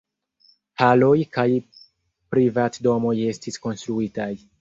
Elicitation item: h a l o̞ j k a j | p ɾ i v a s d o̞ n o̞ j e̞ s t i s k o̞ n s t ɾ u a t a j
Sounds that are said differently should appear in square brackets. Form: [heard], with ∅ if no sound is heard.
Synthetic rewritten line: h a l o̞ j k a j | p ɾ i v a [t] d o̞ [m] o̞ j e̞ s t i s k o̞ n s t ɾ u [i] t a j

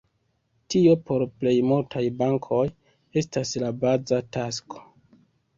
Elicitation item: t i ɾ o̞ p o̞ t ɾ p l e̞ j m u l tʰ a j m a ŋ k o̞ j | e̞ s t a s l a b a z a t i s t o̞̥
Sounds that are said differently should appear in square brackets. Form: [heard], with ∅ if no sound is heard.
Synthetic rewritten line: t i [∅] o̞ p o̞ [∅] ɾ p l e̞ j m u l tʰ a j [b] a ŋ [kʰ] o̞ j | e̞ s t a s l a b a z a t [a] s [k] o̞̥

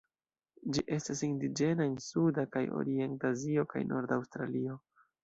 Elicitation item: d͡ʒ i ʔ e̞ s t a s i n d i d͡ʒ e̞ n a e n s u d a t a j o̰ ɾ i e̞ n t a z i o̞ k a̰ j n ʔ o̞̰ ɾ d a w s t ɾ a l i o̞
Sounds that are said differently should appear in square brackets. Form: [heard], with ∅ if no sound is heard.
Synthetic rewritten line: d͡ʒ i ʔ e̞ s t a s i n d i d͡ʒ e̞ n a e n s u d a [k] a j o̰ ɾ i e̞ n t a z i o̞ k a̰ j n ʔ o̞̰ ɾ d a w s t ɾ a l i o̞

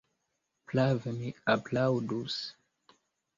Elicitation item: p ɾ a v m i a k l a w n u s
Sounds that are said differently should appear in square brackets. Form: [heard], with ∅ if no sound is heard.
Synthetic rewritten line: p [l] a v m i a [p] l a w [d] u s

